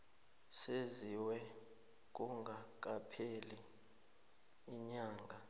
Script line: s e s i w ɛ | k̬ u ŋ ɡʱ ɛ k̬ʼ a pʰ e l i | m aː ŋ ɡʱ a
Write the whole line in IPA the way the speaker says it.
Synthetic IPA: s e z i w ɛ | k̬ u ŋ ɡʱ a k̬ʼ a pʰ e l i | ɲ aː ŋ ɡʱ a